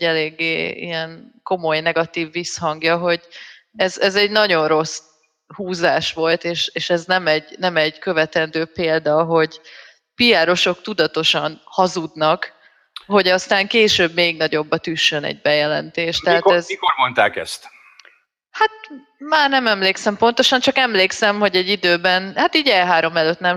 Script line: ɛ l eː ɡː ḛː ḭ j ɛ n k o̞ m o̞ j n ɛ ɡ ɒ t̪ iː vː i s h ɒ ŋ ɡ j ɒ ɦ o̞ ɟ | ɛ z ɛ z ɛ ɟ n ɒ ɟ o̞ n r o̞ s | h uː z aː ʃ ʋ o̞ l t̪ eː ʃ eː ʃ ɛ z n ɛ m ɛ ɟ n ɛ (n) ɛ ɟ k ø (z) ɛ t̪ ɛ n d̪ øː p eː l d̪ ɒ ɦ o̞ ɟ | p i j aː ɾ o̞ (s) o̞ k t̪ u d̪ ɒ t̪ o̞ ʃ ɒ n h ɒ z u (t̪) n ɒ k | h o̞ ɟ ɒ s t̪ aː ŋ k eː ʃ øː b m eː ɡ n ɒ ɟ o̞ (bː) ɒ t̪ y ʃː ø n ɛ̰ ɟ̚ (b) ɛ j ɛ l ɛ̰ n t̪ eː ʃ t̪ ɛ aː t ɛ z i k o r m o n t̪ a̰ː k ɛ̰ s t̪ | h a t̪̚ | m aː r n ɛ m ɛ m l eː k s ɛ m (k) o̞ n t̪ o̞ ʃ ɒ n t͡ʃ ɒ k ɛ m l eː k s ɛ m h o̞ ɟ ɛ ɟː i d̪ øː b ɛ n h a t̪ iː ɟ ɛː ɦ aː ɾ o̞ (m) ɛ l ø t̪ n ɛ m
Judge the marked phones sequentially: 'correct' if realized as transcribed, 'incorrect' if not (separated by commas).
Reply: incorrect, incorrect, incorrect, incorrect, correct, correct, incorrect, correct